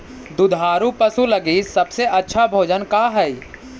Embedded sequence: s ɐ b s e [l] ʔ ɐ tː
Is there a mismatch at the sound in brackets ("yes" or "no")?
yes